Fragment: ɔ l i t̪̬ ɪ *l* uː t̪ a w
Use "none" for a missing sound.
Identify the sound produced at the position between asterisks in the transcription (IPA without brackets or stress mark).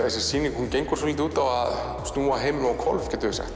none